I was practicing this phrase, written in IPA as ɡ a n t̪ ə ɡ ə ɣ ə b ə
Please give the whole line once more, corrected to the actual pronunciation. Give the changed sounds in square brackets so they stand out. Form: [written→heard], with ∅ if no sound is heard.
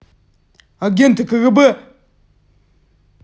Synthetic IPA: ɡ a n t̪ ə [ɡ→k] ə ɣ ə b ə